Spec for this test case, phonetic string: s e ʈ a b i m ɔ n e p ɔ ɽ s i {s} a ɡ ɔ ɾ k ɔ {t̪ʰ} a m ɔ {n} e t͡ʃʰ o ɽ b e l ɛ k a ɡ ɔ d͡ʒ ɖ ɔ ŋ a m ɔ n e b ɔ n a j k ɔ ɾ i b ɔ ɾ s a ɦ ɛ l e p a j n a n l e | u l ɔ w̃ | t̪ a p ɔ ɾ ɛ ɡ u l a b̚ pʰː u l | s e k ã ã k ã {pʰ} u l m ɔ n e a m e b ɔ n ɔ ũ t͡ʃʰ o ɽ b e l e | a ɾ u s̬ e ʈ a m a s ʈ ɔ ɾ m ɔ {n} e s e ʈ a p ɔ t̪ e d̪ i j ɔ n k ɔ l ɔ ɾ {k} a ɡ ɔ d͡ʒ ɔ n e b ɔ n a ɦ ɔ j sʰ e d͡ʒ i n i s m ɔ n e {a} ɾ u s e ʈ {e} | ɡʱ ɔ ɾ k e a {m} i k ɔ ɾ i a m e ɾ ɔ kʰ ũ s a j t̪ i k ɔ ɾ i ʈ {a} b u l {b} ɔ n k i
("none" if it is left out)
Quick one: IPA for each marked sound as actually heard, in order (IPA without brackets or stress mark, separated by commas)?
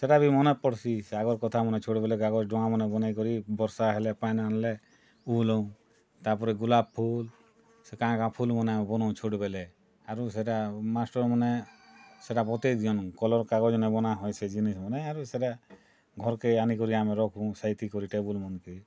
s, t̪ʰ, n, pʰ, n, k, a, a, n, e, m